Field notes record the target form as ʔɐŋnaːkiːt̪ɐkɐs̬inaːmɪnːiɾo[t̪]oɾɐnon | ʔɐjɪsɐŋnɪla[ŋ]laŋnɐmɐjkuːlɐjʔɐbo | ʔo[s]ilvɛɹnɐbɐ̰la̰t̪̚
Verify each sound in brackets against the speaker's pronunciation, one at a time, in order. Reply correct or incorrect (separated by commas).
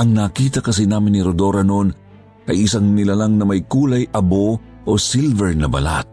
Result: incorrect, incorrect, correct